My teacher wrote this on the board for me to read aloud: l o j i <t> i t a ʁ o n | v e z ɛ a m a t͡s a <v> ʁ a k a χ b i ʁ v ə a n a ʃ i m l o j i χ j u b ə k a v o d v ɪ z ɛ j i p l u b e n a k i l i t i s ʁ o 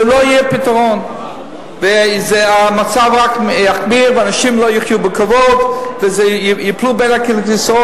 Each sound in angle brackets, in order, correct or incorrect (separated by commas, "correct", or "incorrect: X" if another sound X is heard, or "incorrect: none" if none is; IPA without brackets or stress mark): incorrect: p, correct